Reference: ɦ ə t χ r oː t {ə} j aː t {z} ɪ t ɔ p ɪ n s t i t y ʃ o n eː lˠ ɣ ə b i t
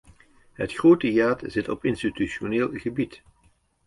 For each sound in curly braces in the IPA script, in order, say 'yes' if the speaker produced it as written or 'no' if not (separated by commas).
yes, yes